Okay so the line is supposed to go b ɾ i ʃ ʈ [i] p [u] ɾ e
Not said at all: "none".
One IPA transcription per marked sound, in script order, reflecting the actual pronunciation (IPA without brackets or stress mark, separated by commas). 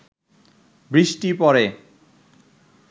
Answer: i, ɔ